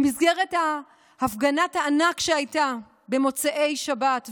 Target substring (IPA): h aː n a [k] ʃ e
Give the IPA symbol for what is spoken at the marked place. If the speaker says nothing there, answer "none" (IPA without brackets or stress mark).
k